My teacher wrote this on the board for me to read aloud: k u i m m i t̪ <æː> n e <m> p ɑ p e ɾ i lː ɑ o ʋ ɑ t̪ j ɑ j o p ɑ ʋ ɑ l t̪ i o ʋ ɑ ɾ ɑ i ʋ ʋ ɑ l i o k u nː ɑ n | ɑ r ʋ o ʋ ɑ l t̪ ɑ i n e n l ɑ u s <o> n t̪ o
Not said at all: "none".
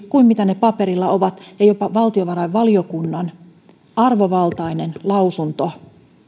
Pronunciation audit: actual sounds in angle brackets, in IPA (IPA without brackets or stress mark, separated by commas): æ, none, u